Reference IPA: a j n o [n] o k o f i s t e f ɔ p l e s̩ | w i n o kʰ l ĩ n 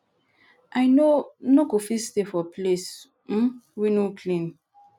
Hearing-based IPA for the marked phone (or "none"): n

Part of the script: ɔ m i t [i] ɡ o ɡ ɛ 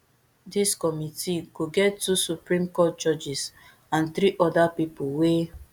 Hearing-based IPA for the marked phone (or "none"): i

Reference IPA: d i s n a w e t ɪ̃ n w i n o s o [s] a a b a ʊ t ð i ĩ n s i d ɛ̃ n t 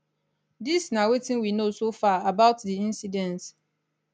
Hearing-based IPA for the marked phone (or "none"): f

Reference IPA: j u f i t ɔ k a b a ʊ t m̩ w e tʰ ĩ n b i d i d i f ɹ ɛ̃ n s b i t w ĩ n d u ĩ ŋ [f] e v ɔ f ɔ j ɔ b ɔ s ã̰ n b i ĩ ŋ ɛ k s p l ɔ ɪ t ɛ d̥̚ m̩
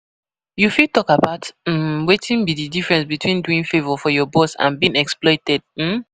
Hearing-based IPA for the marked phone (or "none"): f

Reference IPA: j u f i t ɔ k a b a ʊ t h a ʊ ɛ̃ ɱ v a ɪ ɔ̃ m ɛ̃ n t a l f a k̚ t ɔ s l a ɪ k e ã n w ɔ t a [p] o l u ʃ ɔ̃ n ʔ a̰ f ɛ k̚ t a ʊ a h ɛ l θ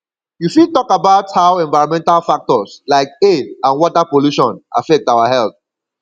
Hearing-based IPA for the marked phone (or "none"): p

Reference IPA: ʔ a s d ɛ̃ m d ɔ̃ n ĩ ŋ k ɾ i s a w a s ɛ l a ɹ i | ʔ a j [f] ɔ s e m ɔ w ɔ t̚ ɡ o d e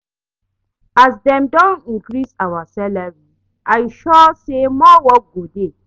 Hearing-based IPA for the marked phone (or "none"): ʃ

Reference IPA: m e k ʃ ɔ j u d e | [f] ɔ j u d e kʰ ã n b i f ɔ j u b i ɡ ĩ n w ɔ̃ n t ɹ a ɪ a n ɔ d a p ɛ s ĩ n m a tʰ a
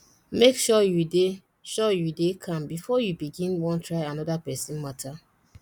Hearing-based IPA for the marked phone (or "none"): ʃ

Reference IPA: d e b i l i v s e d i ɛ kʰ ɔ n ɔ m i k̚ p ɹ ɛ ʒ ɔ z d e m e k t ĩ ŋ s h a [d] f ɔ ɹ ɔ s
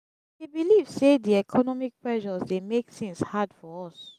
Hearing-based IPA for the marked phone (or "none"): d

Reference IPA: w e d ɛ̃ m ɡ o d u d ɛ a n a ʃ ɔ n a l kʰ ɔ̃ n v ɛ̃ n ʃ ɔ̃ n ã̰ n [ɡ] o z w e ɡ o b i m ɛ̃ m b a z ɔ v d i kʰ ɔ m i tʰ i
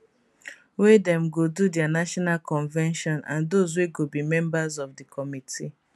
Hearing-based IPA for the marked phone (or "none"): d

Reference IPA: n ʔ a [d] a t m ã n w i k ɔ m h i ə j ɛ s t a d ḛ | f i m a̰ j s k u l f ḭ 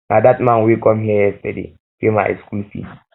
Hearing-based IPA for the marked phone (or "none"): d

